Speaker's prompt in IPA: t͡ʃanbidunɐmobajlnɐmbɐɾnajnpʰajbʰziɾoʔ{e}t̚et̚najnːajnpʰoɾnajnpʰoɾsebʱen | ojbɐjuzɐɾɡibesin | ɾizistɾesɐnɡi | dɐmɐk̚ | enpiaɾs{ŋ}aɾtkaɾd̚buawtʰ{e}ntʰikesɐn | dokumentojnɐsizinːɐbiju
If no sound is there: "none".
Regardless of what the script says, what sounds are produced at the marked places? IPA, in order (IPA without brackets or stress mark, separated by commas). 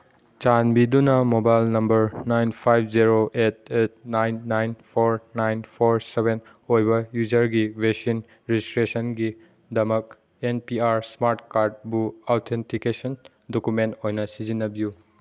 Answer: e, m, e